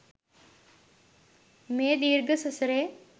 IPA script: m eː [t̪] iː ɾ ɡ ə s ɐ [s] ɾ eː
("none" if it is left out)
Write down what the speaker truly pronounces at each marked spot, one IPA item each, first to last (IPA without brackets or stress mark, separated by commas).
d̪, s